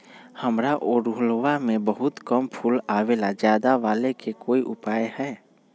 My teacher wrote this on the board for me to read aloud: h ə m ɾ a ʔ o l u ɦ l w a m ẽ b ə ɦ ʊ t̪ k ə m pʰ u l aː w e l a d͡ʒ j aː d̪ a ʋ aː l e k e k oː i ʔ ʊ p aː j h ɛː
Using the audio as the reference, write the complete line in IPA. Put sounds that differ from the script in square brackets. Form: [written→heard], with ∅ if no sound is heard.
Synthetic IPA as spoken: h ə m ɾ a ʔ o [l→ɾ] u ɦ l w a m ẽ b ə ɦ ʊ t̪ k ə m pʰ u l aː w e l a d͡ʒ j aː d̪ a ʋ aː l e k e k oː i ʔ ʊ p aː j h ɛː